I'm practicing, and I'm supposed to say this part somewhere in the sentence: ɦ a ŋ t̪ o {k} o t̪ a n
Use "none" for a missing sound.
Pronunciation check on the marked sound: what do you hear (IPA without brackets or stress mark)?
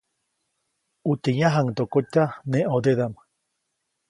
k